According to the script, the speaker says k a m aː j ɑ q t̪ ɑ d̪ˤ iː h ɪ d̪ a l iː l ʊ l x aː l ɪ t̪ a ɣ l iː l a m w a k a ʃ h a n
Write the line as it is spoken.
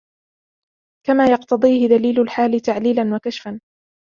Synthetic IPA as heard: k a m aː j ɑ q t̪ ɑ d̪ˤ iː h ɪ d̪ a l iː l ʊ l ħ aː l ɪ t̪ a ʕ l iː l a n w a k a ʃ f a n